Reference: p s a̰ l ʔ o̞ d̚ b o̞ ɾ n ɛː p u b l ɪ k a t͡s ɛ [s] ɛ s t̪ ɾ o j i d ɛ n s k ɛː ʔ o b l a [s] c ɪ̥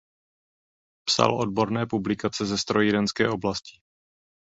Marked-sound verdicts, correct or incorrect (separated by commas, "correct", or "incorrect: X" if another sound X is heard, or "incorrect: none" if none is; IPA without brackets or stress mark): incorrect: z, correct